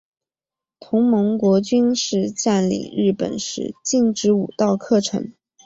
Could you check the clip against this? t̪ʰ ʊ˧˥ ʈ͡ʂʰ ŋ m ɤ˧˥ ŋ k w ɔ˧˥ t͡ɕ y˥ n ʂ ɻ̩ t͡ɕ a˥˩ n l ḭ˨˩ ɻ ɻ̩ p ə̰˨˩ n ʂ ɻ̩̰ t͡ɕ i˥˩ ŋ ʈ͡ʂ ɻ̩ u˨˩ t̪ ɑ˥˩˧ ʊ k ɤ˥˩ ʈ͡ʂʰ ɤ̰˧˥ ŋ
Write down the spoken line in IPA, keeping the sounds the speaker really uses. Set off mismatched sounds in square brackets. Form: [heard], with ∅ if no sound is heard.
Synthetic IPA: t̪ʰ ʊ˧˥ [∅] ŋ m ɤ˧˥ ŋ k w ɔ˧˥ t͡ɕ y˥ n ʂ ɻ̩ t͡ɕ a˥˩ n l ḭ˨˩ ɻ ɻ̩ p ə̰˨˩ n ʂ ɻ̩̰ t͡ɕ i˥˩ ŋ ʈ͡ʂ ɻ̩ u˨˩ t̪ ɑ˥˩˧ ʊ [kʰ] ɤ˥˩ ʈ͡ʂʰ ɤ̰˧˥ ŋ

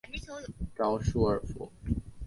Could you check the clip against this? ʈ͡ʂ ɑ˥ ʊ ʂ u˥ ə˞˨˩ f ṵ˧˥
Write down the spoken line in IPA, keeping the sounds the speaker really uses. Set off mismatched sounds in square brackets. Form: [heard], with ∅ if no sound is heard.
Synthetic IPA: ʈ͡ʂ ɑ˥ ʊ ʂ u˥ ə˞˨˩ f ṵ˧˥

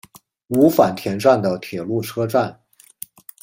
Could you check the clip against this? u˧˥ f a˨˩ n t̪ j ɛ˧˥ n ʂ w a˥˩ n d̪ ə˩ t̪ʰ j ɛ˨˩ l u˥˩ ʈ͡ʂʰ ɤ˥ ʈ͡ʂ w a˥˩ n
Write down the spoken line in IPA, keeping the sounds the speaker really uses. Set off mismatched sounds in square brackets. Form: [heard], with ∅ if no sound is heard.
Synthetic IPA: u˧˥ f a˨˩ n [t̪ʰ] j ɛ˧˥ n [ʈ͡ʂ] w a˥˩ n d̪ ə˩ t̪ʰ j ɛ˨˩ l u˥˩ ʈ͡ʂʰ ɤ˥ ʈ͡ʂ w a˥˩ n

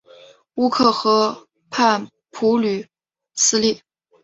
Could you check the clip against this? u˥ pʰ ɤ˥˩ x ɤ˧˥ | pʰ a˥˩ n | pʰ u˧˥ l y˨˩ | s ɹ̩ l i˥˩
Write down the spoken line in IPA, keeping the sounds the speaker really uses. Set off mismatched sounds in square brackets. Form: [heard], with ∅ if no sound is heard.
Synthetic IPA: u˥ [kʰ] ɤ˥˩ x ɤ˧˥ | pʰ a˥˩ n | pʰ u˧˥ l y˨˩ | s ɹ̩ l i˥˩

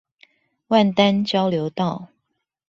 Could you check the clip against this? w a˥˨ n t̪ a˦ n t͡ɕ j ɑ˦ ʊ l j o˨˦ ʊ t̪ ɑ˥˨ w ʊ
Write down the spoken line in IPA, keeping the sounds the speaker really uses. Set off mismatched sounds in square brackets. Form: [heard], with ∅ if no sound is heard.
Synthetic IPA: w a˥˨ n t̪ a˦ n t͡ɕ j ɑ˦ ʊ l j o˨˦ ʊ t̪ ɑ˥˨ [∅] ʊ

